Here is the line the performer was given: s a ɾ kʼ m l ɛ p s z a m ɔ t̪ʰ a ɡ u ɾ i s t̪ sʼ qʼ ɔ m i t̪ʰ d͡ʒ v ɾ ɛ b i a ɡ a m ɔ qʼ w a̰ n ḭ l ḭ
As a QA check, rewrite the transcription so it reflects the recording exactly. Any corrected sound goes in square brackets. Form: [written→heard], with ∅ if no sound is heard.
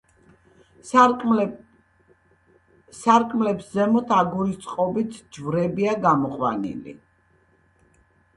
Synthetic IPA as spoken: s a ɾ kʼ m l ɛ p s z [a→ɛ] m ɔ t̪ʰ a ɡ u ɾ i s t̪ sʼ qʼ ɔ [m→b] i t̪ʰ d͡ʒ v ɾ ɛ b i a ɡ a m ɔ qʼ w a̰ n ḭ l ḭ